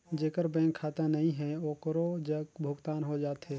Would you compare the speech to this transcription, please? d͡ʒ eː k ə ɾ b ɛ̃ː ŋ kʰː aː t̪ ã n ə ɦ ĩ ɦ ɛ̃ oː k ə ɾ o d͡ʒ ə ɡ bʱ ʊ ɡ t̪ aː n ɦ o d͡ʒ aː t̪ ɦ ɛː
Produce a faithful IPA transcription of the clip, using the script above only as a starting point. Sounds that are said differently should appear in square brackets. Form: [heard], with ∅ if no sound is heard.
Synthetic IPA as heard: d͡ʒ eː k ə ɾ b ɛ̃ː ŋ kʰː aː t̪ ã n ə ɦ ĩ ɦ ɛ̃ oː k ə ɾ o d͡ʒ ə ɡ bʱ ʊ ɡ t̪ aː n ɦ o d͡ʒ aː t̪ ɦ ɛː